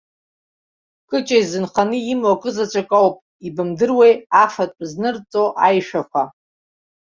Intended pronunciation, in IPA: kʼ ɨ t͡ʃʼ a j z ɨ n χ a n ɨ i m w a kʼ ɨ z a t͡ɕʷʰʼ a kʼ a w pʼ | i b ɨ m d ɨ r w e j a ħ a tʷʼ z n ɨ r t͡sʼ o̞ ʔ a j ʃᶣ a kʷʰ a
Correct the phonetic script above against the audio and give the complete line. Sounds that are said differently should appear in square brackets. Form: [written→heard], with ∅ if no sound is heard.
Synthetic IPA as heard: kʼ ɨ t͡ʃʼ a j z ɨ n χ a n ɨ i m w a kʼ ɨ z a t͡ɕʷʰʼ a kʼ a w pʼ | i b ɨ m d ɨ r w e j a [ħ→f] a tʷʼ z n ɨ r t͡sʼ o̞ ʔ a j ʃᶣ a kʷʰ a